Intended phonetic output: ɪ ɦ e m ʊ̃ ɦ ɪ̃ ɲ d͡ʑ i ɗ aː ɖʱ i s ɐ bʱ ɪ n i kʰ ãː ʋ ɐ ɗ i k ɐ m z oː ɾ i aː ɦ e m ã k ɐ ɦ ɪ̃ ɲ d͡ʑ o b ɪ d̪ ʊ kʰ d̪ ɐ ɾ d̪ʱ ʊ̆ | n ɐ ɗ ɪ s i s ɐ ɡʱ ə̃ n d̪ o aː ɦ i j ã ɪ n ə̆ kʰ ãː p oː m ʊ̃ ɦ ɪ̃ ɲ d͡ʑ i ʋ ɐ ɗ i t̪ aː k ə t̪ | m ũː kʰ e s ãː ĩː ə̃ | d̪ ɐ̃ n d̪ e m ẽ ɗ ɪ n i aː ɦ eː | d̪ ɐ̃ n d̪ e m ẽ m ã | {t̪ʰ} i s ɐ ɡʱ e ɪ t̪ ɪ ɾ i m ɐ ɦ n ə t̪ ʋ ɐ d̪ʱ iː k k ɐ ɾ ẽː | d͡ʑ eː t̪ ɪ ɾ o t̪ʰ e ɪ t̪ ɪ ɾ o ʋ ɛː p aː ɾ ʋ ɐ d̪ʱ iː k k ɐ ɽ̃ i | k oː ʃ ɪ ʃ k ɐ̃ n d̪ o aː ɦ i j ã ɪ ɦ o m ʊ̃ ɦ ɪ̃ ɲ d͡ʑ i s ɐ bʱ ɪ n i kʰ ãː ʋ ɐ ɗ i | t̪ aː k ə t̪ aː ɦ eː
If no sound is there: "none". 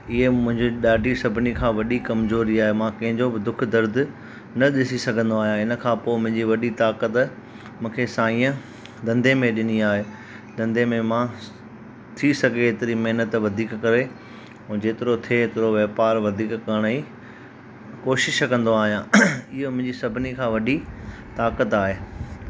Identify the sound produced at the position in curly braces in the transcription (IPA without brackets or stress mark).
t̪ʰ